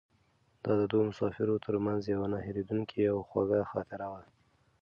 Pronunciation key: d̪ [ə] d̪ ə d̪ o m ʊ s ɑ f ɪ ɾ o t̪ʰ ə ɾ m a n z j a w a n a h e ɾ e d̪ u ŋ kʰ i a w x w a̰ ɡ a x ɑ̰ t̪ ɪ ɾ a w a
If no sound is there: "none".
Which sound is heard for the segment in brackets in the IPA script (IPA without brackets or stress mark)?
ɑ